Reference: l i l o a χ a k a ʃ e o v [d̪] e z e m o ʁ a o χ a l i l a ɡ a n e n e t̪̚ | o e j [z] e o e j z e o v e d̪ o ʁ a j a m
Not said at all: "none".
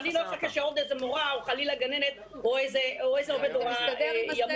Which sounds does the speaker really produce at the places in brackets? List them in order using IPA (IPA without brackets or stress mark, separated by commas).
d̪, z